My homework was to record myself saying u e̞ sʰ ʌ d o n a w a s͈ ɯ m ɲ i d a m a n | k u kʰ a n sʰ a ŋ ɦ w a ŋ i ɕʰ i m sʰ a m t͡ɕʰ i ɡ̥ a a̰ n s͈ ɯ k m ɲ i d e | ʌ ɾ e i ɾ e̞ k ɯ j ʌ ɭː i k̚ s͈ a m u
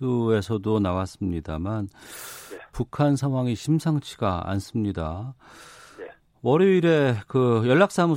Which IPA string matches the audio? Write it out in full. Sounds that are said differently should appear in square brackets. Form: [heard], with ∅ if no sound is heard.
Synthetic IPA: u e̞ sʰ ʌ d o n a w a s͈ ɯ m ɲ i d a m a n | [p] u kʰ a n sʰ a ŋ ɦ w a ŋ i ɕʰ i m sʰ a [ŋ] t͡ɕʰ i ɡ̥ a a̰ n s͈ ɯ [∅] m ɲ i d [a] | ʌ ɾ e i ɾ e̞ k ɯ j ʌ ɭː [a] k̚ s͈ a m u